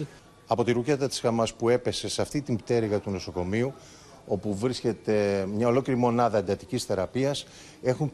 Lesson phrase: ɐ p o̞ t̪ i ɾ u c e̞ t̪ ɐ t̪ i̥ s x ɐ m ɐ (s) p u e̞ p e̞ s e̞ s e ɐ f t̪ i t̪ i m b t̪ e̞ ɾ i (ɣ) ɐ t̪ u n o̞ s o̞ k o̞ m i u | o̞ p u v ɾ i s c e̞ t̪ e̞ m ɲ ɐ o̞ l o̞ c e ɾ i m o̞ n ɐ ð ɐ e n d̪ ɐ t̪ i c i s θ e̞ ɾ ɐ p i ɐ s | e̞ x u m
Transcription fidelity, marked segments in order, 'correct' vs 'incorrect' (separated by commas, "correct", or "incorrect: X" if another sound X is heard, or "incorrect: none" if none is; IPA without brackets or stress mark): correct, correct